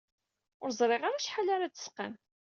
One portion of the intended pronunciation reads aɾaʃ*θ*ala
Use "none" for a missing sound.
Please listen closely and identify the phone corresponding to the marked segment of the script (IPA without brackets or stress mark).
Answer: ħ